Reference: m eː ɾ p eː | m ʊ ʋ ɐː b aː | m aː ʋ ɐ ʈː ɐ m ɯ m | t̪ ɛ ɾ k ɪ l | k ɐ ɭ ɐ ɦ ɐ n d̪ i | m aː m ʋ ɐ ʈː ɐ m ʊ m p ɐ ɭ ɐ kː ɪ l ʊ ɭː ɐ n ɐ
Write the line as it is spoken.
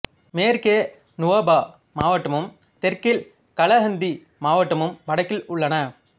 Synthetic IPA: m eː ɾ k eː | n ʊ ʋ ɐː b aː | m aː ʋ ɐ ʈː ɐ m ɯ m | t̪ ɛ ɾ k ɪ l | k ɐ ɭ ɐ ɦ ɐ n d̪ i | m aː ʋ ɐ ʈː ɐ m ɯ m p ɐ ɽ ɐ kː ɪ l ʊ ɭː ɐ n ɐ

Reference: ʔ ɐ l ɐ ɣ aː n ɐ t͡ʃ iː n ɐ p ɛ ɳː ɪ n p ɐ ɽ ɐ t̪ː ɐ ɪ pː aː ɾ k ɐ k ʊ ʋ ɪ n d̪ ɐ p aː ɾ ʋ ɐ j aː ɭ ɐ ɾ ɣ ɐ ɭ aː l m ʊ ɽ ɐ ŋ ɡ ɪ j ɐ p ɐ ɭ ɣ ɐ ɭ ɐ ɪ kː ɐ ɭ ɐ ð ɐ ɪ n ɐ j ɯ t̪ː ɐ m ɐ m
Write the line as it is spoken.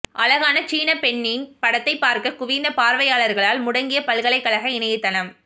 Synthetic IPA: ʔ ɐ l ɐ ɣ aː n ɐ t͡ʃ iː n ɐ p ɛ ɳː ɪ n p ɐ ɽ ɐ t̪ː ɐ ɪ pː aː ɾ k ɐ k ʊ ʋ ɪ n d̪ ɐ p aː ɾ ʋ ɐ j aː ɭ ɐ ɾ ɣ ɐ ɭ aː l m ʊ ɽ ɐ ŋ ɡ ɪ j ɐ p ɐ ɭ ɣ ɐ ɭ ɐ ɪ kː ɐ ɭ ɐ ɣ ɐ ɪ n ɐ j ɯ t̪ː ɐ n ɐ m

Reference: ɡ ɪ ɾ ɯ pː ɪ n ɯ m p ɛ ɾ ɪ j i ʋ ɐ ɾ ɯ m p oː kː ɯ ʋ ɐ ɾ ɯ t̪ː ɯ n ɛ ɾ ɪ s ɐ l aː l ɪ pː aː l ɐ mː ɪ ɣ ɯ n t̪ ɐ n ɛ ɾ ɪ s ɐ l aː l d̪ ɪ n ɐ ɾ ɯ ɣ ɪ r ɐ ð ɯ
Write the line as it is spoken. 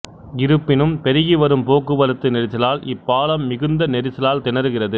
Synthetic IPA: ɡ ɪ ɾ ɯ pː ɪ n ɯ m p ɛ ɾ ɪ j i ʋ ɐ ɾ ɯ m p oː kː ɯ ʋ ɐ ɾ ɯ t̪ː ɯ n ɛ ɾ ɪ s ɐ l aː l ɪ pː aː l ɐ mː ɪ ɣ ɯ n d̪ ɐ n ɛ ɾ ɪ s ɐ l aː l t̪ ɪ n ɐ ɾ ɯ ɣ ɪ r ɐ ð ɯ

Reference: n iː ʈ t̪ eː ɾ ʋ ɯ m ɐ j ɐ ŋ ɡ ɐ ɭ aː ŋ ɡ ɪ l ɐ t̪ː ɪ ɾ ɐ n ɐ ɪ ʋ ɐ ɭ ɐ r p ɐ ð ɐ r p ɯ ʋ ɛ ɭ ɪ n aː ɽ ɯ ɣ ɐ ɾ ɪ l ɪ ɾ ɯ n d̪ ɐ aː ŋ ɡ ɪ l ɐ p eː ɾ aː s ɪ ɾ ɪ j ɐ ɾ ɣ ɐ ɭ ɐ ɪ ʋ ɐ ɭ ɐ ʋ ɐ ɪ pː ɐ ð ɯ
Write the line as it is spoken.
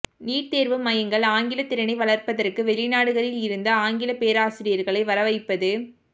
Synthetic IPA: n iː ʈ t̪ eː ɾ ʋ ɯ m ɐ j ɐ ŋ ɡ ɐ ɭ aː ŋ ɡ ɪ l ɐ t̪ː ɪ ɾ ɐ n ɐ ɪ ʋ ɐ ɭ ɐ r p ɐ ð ɐ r k ɯ ʋ ɛ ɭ ɪ n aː ɽ ɯ ɣ ɐ ɾ ɪ l ɪ ɾ ɯ n d̪ ɐ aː ŋ ɡ ɪ l ɐ p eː ɾ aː s ɪ ɾ ɪ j ɐ ɾ ɣ ɐ ɭ ɐ ɪ ʋ ɐ ɾ ɐ ʋ ɐ ɪ pː ɐ ð ɯ

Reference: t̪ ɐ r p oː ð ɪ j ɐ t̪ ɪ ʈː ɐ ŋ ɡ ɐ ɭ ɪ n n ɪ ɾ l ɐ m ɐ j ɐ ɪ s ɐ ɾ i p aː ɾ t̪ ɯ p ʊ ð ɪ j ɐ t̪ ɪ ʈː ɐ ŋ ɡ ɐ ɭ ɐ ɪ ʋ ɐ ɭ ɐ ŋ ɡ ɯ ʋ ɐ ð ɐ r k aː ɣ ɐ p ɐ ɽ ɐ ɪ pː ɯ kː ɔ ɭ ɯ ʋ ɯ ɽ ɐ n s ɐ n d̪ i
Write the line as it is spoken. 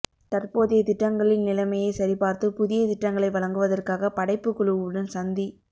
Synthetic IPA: t̪ ɐ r p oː ð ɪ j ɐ t̪ ɪ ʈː ɐ ŋ ɡ ɐ ɭ ɪ n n ɪ l ɐ m ɐ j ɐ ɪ s ɐ ɾ i p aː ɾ t̪ ɯ p ʊ ð ɪ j ɐ t̪ ɪ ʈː ɐ ŋ ɡ ɐ ɭ ɐ ɪ ʋ ɐ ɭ ɐ ŋ ɡ ɯ ʋ ɐ ð ɐ r k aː ɣ ɐ p ɐ ɽ ɐ ɪ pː ɯ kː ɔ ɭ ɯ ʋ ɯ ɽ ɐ n s ɐ n d̪ i

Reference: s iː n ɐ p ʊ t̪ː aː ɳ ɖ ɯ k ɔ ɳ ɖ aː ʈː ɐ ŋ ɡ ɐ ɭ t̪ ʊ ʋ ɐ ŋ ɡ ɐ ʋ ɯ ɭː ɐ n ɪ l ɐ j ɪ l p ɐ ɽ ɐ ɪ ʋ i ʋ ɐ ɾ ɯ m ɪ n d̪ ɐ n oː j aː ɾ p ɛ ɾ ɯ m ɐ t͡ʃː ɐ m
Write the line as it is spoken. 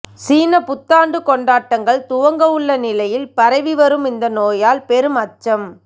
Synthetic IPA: s iː n ɐ p ʊ t̪ː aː ɳ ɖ ɯ k ɔ ɳ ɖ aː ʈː ɐ ŋ ɡ ɐ ɭ t̪ ʊ ʋ ɐ ŋ ɡ ɐ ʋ ɯ ɭː ɐ n ɪ l ɐ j ɪ l p ɐ ɾ ɐ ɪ ʋ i ʋ ɐ ɾ ɯ m ɪ n d̪ ɐ n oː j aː l p ɛ ɾ ɯ m ɐ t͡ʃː ɐ m

